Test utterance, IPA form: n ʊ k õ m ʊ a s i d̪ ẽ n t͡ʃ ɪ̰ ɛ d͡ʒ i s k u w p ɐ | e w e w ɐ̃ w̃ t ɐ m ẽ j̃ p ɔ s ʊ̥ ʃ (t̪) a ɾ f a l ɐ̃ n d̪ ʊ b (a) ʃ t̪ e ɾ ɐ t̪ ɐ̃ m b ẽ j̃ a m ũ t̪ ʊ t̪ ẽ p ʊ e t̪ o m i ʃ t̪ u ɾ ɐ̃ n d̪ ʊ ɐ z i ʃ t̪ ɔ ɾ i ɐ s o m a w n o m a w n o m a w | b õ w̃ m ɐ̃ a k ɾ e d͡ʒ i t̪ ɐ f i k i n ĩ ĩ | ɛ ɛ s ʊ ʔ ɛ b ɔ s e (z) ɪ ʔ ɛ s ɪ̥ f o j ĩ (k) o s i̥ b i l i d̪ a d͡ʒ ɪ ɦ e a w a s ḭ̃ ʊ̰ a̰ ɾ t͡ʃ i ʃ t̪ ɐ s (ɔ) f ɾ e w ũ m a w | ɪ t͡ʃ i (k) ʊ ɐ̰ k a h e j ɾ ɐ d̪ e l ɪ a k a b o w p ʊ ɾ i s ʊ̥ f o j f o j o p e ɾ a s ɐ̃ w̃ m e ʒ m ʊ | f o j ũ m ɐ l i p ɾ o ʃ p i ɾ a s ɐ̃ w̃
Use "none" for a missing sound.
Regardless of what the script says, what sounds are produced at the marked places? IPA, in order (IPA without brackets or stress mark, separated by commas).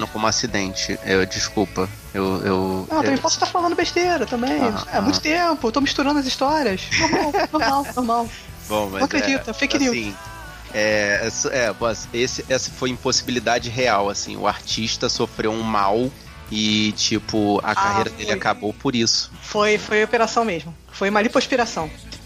t̪, e, s, p, o, p